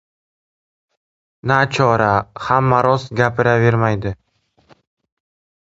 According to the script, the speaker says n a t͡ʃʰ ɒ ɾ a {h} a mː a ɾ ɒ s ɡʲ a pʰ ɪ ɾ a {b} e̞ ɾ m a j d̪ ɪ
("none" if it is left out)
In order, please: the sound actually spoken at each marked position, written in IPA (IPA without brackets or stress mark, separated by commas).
h, v